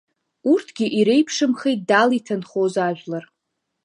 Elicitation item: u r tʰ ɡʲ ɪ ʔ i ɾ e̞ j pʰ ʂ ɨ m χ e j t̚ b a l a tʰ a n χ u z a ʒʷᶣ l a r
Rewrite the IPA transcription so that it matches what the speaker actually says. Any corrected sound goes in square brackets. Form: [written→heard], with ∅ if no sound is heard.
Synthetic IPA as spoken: u r tʰ ɡʲ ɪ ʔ i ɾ e̞ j pʰ ʂ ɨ m χ e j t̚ [b→d] a l [a→i] tʰ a n χ [u→o] z a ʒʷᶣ l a r